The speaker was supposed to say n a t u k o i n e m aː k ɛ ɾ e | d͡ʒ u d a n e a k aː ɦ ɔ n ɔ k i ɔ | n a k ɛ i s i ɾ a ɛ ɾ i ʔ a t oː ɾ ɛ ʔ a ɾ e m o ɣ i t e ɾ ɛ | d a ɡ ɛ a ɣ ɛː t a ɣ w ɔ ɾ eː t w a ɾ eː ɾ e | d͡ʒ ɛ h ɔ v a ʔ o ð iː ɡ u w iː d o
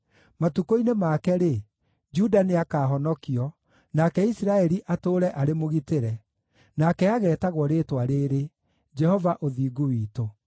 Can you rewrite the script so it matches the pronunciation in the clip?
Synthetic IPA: m a t u k o i n e m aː k ɛ ɾ e | d͡ʒ u d a n e a k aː ɦ ɔ n ɔ k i ɔ | n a k ɛ i s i ɾ a ɛ ɾ i ʔ a t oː ɾ ɛ ʔ a ɾ e m o ɣ i t e ɾ ɛ | n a k ɛ a ɣ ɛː t a ɣ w ɔ ɾ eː t w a ɾ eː ɾ e | d͡ʒ ɛ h ɔ v a ʔ o ð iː ɡ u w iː t o